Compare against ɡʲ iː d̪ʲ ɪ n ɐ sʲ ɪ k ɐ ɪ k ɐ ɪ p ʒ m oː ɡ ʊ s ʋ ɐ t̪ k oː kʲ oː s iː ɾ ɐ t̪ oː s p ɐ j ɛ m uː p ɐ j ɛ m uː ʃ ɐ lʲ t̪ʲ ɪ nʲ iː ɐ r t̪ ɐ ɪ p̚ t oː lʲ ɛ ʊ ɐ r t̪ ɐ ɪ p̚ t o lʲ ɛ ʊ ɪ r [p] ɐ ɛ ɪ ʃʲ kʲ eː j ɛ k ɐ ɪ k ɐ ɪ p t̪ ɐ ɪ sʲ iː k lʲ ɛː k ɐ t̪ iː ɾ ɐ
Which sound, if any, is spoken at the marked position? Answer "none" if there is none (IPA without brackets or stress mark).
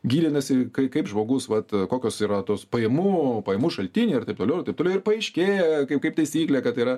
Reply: p